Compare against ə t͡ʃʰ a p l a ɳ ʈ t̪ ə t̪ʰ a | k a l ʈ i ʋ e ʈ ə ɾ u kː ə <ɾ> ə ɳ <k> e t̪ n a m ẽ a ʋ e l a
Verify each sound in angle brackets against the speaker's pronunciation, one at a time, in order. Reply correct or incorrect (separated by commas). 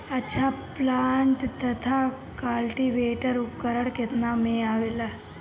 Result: correct, correct